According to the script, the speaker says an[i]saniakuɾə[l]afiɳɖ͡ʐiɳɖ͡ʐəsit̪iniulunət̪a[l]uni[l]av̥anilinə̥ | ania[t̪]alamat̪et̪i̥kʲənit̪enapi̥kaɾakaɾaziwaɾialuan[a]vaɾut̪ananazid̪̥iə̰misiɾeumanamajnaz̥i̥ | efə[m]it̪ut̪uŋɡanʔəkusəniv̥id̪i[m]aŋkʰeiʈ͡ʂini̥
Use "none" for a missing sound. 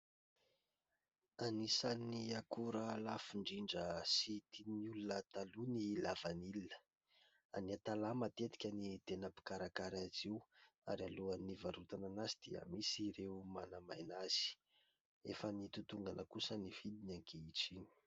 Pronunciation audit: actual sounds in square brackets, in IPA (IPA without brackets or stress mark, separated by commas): i, l, l, l, t̪, i, n, n